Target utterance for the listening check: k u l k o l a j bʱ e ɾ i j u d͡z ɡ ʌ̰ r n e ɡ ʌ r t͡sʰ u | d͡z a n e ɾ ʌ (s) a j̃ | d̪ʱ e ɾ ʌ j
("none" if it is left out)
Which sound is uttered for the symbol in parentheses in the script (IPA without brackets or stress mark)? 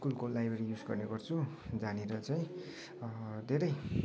t͡s